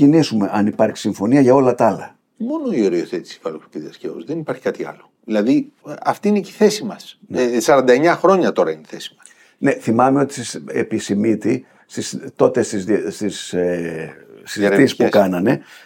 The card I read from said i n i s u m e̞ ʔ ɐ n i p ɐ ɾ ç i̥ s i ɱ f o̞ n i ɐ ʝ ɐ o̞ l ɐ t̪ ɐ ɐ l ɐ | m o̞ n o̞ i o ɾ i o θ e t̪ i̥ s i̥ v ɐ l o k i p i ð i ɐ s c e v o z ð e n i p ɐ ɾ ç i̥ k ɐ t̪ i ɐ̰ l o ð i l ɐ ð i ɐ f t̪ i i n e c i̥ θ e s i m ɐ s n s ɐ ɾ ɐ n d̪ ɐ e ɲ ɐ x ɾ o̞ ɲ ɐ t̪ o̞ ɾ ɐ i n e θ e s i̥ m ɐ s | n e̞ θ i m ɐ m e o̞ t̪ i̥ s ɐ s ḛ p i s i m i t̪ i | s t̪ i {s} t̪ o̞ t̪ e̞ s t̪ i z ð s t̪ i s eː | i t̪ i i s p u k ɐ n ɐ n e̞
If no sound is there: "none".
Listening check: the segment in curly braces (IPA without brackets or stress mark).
s